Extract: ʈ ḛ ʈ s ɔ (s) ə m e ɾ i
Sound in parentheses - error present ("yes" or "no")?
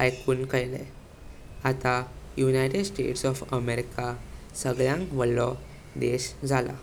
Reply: yes